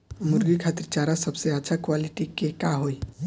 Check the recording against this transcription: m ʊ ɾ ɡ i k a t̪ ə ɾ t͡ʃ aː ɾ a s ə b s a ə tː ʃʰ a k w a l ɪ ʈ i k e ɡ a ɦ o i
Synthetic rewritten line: m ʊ ɾ ɡ i kʰ a t̪ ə ɾ t͡ʃ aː ɾ a s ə b s e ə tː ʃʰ a k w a l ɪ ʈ i k e k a ɦ o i

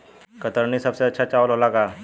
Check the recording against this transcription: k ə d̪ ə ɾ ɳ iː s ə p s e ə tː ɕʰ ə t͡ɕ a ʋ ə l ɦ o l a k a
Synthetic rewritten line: k ə t̪ ə ɾ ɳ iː s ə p s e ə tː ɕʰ a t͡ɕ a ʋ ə l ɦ o l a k a

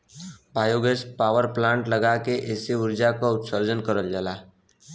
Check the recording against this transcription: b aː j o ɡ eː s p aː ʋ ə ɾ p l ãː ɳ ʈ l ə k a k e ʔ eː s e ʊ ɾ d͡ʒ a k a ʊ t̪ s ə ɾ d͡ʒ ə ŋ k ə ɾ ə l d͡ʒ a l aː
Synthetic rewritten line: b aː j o ɡ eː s p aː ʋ ə ɾ p l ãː ɳ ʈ l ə ɡ a k e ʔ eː s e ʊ ɾ d͡ʒ a k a ʊ t̪ s ə ɾ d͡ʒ ə n k ə ɾ ə l d͡ʒ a l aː

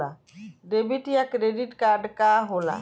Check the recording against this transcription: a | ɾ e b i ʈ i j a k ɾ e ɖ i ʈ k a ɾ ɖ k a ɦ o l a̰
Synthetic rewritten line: a | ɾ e b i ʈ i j a k ɾ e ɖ i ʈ k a ɾ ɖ k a ɦ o l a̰

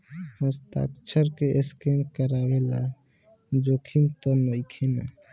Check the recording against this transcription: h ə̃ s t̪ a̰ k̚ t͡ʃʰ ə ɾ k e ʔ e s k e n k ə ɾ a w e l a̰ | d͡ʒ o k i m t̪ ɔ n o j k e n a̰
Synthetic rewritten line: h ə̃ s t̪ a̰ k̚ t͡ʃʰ ə ɾ k e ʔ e s k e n k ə ɾ a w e l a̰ | d͡ʒ o kʰ i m t̪ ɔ n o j kʰ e n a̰

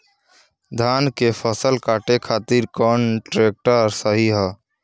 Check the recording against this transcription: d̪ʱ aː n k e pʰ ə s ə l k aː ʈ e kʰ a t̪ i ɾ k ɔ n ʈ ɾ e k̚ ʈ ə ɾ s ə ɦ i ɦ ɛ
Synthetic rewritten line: d̪ʱ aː n k e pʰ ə s ə l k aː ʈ e kʰ a t̪ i ɾ k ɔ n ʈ ɾ e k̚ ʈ ə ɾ s ə ɦ i ɦ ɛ

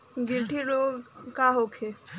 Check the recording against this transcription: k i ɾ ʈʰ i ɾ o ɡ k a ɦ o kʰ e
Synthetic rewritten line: ɡ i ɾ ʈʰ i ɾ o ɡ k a ɦ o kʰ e

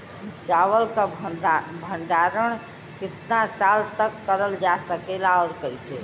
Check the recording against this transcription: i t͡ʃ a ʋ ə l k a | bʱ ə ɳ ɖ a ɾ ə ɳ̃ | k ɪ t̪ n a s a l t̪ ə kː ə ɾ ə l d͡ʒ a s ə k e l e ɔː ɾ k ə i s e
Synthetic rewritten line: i t͡ʃ a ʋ ə l k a | bʱ ə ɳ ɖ a ɾ ə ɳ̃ | k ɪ t̪ n a s a l t̪ ə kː ə ɾ ə l d͡ʒ a s ə k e l a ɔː ɾ k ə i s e

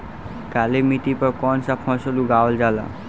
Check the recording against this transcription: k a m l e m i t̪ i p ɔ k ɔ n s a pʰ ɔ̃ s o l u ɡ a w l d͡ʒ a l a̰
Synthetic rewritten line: k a l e m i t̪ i p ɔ k ɔ n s a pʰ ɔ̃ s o l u ɡ a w l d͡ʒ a l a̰

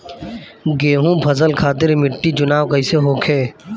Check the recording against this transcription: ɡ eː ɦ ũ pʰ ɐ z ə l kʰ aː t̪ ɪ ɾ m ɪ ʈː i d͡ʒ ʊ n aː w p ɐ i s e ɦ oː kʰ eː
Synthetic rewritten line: ɡ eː ɦ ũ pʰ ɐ z ə l kʰ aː t̪ ɪ ɾ m ɪ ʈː i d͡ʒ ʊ n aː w k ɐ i s e ɦ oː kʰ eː

